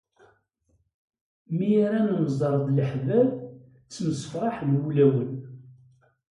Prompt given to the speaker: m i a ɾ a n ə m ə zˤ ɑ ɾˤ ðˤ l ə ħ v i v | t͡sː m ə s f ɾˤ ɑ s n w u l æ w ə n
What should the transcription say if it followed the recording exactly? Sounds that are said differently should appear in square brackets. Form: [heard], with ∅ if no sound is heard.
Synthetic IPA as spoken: m i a ɾ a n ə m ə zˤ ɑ ɾˤ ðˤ l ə ħ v [æ] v | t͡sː m ə s f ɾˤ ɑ [ħ] n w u l æ w ə n